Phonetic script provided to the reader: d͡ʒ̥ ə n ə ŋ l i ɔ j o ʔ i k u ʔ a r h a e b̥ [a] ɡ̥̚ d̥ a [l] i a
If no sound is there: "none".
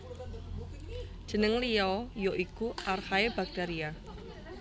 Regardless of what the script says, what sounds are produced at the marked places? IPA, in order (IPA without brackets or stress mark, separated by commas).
a, ɾ